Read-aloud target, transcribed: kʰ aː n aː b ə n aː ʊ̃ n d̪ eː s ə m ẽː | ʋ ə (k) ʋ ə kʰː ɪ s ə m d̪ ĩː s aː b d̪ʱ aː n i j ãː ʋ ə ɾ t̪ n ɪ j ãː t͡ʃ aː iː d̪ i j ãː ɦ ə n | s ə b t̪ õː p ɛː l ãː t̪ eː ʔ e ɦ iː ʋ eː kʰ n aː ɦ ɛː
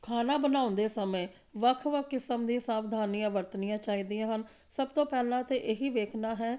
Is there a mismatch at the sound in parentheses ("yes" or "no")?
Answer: yes